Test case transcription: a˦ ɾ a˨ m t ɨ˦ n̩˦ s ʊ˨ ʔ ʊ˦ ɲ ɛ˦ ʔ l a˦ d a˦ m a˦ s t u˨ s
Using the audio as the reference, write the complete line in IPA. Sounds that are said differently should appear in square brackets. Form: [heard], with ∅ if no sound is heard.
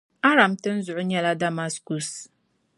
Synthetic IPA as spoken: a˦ ɾ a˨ m t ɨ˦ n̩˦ [z] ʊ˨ ʔ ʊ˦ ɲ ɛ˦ [∅] l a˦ d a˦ m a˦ s [k] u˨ s